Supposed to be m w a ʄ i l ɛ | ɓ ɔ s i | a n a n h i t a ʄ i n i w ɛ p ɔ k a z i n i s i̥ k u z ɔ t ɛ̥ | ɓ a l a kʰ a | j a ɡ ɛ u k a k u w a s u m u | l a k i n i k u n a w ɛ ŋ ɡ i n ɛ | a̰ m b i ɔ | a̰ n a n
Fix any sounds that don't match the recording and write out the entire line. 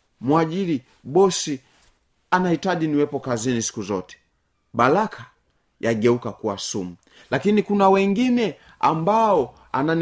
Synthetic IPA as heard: m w a ʄ i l i | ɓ ɔ s i | a n a h i t a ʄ i n i w ɛ p ɔ k a z i n i s i̥ k u z ɔ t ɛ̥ | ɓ a l a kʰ a | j a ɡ ɛ u k a k u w a s u m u | l a k i n i k u n a w ɛ ŋ ɡ i n ɛ | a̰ m b a ɔ | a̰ n a n